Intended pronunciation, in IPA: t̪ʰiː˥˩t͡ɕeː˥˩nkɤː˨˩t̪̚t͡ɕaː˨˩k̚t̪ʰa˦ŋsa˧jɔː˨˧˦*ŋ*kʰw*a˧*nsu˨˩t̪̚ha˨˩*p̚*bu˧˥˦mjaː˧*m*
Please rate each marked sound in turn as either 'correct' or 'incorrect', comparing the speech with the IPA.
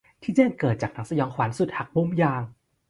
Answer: correct, incorrect: a˩˦, incorrect: k̚, incorrect: ŋ

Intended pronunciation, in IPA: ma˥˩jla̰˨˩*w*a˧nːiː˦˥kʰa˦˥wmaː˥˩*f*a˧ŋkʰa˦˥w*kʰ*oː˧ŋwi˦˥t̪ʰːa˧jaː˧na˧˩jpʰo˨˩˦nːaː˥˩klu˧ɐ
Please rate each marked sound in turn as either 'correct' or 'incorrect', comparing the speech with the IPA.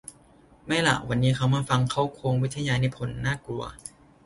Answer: correct, correct, correct

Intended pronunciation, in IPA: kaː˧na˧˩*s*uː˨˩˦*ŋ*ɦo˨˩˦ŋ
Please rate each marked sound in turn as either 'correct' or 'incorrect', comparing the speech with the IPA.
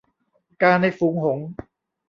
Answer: incorrect: f, correct

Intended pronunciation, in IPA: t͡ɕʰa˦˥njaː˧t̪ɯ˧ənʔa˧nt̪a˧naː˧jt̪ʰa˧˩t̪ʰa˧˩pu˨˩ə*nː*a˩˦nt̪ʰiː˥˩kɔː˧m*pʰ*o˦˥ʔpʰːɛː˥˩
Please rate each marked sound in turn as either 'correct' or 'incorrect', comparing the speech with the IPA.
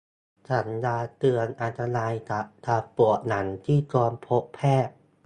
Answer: incorrect: n, correct

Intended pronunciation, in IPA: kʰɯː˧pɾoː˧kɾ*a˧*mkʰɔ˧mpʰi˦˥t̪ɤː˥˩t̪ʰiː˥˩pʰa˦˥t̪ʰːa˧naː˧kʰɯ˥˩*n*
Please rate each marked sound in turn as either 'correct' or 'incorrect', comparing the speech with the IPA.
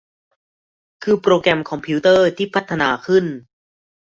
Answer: incorrect: ɛ˧, correct

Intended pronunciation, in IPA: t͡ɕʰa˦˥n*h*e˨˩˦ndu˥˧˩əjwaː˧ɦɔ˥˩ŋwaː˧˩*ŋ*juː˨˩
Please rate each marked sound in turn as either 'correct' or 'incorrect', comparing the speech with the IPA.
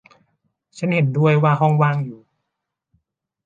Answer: correct, correct

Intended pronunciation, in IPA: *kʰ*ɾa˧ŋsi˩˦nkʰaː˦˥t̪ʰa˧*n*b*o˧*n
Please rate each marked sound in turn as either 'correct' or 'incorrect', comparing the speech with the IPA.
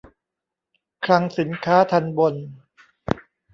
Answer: correct, correct, correct

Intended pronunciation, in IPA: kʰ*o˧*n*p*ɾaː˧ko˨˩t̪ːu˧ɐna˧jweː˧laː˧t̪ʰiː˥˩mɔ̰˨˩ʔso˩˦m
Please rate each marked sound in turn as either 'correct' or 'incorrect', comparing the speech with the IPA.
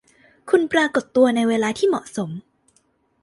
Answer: incorrect: u˧, correct

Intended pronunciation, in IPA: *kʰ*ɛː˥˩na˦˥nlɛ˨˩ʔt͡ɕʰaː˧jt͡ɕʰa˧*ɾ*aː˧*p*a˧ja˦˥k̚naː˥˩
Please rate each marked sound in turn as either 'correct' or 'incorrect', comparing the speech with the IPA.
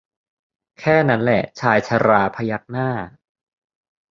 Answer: correct, correct, incorrect: pʰ

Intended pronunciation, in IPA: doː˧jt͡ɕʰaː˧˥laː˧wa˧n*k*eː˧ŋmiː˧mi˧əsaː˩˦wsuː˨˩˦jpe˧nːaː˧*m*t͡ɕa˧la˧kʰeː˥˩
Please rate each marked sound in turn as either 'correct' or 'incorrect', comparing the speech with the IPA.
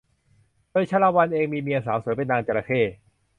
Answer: incorrect: ʔ, incorrect: ŋ

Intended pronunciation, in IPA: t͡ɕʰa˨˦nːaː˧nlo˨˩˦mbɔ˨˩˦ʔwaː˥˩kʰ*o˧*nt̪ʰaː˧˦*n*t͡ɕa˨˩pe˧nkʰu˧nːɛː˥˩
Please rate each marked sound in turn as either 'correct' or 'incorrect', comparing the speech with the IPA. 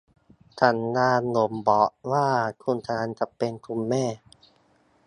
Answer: incorrect: u˧, correct

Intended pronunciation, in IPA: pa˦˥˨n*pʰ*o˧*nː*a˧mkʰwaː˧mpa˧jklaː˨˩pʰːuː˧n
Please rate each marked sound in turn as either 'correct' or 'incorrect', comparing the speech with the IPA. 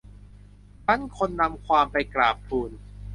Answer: incorrect: kʰ, correct

